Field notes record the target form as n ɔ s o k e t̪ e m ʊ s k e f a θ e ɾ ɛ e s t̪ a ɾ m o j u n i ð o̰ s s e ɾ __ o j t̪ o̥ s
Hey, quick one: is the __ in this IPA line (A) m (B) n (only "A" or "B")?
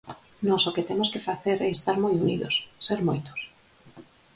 A